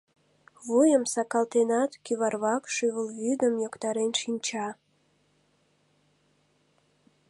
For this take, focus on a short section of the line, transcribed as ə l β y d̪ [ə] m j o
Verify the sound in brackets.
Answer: correct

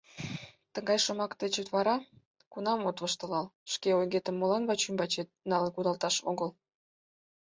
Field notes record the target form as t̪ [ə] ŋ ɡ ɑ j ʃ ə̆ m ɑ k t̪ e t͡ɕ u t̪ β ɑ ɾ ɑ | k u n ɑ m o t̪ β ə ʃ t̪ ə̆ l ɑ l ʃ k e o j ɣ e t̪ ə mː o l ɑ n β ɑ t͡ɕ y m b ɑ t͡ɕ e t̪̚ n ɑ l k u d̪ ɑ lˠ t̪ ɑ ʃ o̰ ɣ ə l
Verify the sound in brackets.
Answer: correct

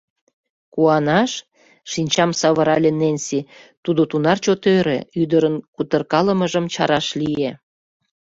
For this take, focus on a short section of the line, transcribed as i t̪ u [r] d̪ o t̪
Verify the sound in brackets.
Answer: incorrect: none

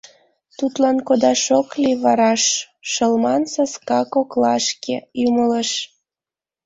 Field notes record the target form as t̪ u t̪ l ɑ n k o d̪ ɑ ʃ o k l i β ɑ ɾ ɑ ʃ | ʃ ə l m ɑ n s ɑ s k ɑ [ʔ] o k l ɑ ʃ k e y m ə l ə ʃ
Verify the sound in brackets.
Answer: incorrect: k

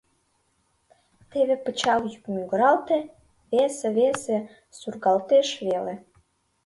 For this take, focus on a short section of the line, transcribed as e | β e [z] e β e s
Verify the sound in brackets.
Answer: incorrect: s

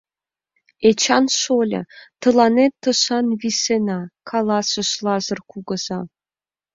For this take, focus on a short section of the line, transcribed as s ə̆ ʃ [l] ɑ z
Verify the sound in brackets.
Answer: correct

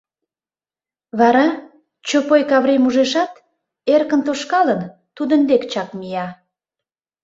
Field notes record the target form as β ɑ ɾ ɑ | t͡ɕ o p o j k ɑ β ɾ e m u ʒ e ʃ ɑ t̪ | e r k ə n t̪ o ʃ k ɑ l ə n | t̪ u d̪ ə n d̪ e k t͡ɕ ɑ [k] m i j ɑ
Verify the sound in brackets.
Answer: correct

